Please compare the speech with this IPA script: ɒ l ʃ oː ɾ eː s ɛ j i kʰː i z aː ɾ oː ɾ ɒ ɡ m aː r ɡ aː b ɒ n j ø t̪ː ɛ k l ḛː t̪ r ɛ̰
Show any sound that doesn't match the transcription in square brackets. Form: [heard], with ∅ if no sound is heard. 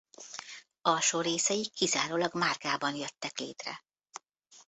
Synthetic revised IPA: ɒ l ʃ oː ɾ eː s ɛ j i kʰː i z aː ɾ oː [l] ɒ ɡ m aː r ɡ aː b ɒ n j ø t̪ː ɛ k l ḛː t̪ r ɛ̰